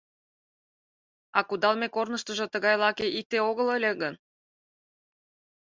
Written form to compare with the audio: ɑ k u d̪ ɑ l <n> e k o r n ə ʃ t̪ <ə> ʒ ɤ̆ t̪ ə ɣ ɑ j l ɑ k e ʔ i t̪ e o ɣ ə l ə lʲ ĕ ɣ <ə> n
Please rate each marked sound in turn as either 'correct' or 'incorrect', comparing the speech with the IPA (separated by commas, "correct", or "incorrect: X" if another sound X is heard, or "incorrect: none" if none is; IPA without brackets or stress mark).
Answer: incorrect: m, correct, correct